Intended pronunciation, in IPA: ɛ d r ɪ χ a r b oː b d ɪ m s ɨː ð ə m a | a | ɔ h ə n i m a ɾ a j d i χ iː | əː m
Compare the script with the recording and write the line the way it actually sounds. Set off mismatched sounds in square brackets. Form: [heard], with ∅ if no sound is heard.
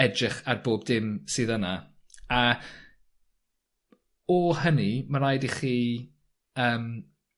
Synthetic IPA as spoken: ɛ d r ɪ χ a r b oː b d ɪ m s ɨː ð ə [n] a | a | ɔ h ə n i m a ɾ a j d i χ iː | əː m